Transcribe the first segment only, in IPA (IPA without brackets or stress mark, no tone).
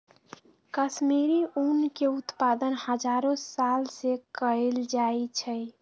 k